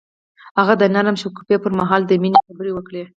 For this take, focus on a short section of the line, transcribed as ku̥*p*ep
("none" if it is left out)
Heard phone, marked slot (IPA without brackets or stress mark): p